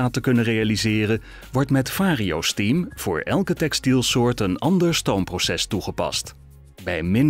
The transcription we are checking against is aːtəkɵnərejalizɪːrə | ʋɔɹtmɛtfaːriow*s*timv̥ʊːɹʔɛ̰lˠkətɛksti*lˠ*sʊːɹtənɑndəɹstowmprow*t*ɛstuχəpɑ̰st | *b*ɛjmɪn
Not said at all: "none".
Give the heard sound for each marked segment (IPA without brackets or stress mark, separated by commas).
s, lˠ, s, b